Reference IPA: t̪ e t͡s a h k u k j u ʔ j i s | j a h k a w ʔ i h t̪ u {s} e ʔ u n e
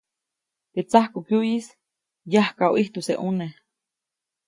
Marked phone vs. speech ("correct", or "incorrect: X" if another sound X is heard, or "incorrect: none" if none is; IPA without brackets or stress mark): correct